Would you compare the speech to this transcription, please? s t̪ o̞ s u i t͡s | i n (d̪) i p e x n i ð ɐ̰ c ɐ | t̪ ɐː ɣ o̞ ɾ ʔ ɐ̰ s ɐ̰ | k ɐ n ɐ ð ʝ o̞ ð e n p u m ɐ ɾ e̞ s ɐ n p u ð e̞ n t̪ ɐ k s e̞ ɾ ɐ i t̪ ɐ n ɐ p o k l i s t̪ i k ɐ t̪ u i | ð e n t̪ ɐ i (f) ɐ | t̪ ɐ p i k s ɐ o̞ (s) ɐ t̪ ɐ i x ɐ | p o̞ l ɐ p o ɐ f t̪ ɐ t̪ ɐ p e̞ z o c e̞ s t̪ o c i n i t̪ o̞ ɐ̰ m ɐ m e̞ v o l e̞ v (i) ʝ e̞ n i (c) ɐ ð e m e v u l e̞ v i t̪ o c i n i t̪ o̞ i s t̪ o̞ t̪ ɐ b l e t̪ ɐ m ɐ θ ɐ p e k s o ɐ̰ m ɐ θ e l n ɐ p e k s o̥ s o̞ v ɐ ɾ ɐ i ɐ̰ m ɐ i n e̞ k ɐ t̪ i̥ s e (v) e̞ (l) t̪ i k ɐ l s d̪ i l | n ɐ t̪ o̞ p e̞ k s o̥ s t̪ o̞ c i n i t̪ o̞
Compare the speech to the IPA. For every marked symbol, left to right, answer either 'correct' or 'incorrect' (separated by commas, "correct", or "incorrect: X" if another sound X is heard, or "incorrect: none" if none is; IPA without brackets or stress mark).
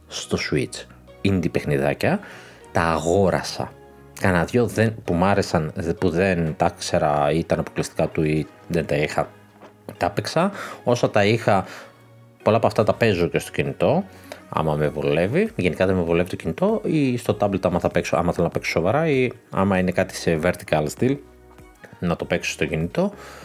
correct, incorrect: x, correct, correct, incorrect: k, correct, incorrect: ɾ